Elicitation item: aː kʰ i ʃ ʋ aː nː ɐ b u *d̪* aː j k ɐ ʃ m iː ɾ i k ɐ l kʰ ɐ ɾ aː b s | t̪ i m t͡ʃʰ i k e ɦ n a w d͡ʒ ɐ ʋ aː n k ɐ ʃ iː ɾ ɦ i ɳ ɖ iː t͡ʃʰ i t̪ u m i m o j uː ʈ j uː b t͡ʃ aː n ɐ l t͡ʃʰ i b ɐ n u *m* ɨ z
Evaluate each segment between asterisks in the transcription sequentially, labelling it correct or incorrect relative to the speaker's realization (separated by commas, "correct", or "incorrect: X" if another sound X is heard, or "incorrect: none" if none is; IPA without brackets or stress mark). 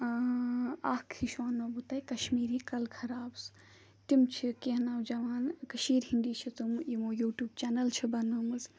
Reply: incorrect: t̪, correct